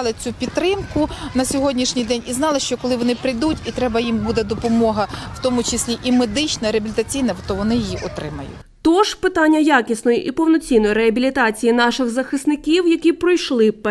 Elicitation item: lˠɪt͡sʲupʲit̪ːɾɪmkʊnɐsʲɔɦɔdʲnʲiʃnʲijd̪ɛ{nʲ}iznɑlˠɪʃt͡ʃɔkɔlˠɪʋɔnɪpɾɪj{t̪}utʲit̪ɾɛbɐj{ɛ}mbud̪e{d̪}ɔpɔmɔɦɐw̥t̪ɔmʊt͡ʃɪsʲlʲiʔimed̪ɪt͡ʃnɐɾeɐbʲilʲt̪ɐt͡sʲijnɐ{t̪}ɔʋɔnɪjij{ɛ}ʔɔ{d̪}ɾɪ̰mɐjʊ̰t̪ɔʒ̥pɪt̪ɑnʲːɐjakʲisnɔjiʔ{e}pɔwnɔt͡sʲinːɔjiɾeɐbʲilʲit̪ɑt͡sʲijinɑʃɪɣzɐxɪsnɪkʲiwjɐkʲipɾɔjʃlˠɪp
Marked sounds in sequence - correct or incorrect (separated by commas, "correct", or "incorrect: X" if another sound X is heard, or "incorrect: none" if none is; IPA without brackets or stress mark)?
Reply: correct, incorrect: d̪, incorrect: i, correct, correct, incorrect: i, incorrect: t̪, incorrect: i